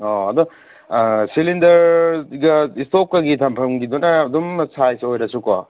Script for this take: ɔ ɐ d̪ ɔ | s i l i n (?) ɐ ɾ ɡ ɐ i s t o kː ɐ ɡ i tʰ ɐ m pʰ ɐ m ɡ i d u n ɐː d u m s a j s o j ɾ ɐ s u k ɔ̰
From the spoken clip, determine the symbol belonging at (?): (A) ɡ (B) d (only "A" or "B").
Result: B